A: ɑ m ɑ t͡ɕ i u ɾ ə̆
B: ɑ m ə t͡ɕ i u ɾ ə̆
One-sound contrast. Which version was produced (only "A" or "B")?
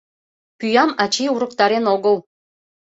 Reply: A